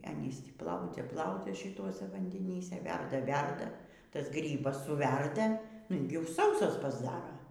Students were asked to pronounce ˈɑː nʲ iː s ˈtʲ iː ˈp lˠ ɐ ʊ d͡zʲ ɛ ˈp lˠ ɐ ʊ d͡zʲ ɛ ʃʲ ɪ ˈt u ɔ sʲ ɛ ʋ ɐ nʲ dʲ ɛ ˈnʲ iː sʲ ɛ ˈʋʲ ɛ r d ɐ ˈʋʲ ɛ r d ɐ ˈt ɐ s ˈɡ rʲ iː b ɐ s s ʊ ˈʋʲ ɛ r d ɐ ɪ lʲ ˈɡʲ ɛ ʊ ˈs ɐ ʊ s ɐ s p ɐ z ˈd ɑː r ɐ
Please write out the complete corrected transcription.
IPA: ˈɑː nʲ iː s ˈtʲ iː ˈp lˠ ɐ ʊ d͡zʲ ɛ ˈp lˠ ɐ ʊ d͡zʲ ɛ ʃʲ ɪ ˈt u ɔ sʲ ɛ ʋ ɐ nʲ dʲ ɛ ˈnʲ iː sʲ ɛ ˈʋʲ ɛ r d ɐ ˈʋʲ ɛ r d ɐ ˈt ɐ s ˈɡ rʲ iː b ɐ s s ʊ ˈʋʲ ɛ r d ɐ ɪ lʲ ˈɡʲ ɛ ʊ ˈs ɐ ʊ s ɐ s p ɐ z ˈd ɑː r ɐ

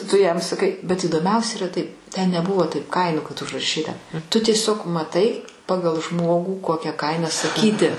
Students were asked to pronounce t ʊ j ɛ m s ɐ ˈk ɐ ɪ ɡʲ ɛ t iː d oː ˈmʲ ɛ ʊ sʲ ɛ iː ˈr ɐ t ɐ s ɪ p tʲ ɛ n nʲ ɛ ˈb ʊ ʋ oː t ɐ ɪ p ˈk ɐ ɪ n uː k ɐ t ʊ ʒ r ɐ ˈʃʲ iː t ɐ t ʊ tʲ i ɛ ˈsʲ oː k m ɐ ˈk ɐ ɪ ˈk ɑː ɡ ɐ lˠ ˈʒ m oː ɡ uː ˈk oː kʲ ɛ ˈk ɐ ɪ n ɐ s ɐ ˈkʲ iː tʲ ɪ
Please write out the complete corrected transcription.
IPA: t ʊ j ɛ m s ɐ ˈk ɐ ɪ bʲ ɛ t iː d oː ˈmʲ ɛ ʊ sʲ ɛ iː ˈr ɐ t ɐ ɪ p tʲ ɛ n nʲ ɛ ˈb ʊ ʋ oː t ɐ ɪ p ˈk ɐ ɪ n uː k ɐ t ʊ ʒ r ɐ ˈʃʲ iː t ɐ t ʊ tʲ i ɛ ˈsʲ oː k m ɐ ˈt ɐ ɪ ˈp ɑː ɡ ɐ lˠ ˈʒ m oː ɡ uː ˈk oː kʲ ɛ ˈk ɐ ɪ n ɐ s ɐ ˈkʲ iː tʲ ɪ

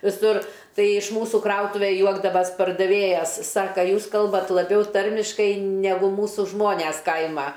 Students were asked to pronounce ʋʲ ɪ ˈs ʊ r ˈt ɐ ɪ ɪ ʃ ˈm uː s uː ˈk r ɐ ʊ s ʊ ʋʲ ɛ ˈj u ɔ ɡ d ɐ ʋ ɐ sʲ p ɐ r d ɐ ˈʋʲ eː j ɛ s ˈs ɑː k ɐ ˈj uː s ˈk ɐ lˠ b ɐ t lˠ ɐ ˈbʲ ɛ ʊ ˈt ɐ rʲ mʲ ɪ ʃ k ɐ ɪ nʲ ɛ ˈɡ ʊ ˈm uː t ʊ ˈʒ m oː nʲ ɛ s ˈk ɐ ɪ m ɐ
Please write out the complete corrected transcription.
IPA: ʋʲ ɪ ˈs ʊ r ˈt ɐ ɪ ɪ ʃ ˈm uː s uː ˈk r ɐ ʊ t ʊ ʋʲ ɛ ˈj u ɔ ɡ d ɐ ʋ ɐ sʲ p ɐ r d ɐ ˈʋʲ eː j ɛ s ˈs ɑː k ɐ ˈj uː s ˈk ɐ lˠ b ɐ t lˠ ɐ ˈbʲ ɛ ʊ ˈt ɐ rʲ mʲ ɪ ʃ k ɐ ɪ nʲ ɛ ˈɡ ʊ ˈm uː s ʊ ˈʒ m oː nʲ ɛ s ˈk ɐ ɪ m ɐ

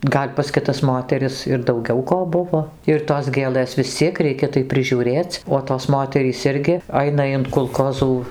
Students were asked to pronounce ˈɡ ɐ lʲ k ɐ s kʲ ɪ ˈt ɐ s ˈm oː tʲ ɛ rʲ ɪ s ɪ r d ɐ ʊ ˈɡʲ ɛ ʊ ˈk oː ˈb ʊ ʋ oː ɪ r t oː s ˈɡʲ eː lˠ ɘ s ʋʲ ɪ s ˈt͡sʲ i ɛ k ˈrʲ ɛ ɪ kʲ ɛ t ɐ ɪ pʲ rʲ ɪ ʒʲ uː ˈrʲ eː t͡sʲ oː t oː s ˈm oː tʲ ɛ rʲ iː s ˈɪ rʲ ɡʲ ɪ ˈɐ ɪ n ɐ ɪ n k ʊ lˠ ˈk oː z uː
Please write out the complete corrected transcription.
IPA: ˈɡ ɐ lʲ p ɐ s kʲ ɪ ˈt ɐ s ˈm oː tʲ ɛ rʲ ɪ s ɪ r d ɐ ʊ ˈɡʲ ɛ ʊ ˈk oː ˈb ʊ ʋ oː ɪ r t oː s ˈɡʲ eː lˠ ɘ s ʋʲ ɪ s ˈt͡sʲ i ɛ k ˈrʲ ɛ ɪ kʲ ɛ t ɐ ɪ pʲ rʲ ɪ ʒʲ uː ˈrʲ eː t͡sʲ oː t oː s ˈm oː tʲ ɛ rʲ iː s ˈɪ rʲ ɡʲ ɪ ˈɐ ɪ n ɐ ɪ n k ʊ lˠ ˈk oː z uː

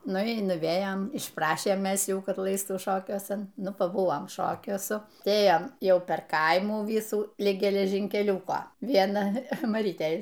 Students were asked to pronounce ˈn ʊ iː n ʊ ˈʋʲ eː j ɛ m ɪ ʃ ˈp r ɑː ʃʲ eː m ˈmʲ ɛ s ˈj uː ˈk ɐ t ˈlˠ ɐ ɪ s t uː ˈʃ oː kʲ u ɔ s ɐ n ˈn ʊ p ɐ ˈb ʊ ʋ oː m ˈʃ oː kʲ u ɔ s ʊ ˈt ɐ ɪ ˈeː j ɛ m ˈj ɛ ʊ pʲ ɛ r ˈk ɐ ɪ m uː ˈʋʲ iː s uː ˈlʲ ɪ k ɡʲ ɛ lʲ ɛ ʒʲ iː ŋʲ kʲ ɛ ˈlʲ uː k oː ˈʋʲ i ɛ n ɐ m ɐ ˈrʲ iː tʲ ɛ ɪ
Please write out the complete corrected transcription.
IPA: ˈn ʊ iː n ʊ ˈʋʲ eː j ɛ m ɪ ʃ ˈp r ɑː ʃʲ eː m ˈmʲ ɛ s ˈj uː ˈk ɐ t ˈlˠ ɐ ɪ s t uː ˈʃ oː kʲ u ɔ s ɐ n ˈn ʊ p ɐ ˈb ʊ ʋ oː m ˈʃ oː kʲ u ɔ s ʊ ˈt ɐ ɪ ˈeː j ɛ m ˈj ɛ ʊ pʲ ɛ r ˈk ɐ ɪ m uː ˈʋʲ iː s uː ˈlʲ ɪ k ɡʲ ɛ lʲ ɛ ʒʲ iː ŋʲ kʲ ɛ ˈlʲ uː k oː ˈʋʲ i ɛ n ɐ m ɐ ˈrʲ iː tʲ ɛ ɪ

